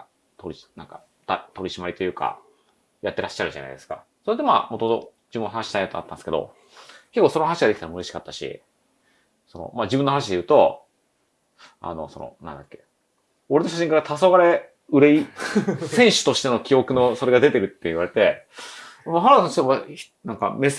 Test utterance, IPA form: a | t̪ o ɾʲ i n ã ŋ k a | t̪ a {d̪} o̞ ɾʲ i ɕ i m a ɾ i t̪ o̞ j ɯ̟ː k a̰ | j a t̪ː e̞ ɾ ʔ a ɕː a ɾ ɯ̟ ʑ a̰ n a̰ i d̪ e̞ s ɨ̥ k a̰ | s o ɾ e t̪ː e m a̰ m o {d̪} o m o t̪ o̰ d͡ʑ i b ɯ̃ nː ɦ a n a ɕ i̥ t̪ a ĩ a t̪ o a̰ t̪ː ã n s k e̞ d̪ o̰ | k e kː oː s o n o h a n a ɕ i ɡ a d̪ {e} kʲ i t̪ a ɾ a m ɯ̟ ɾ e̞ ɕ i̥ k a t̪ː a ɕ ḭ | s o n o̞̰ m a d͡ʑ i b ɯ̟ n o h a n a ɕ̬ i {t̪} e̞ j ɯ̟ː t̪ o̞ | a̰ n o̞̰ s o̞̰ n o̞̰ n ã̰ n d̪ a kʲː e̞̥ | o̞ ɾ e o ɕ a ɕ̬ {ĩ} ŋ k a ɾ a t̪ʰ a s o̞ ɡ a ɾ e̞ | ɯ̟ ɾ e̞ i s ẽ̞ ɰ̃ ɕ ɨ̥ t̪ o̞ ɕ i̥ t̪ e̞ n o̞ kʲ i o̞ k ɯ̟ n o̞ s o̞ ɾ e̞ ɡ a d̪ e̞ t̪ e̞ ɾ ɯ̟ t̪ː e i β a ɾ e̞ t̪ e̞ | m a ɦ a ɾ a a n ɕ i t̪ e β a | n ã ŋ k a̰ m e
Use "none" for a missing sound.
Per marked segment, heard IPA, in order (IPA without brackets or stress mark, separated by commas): t̪, t̪, e, d̪, ĩ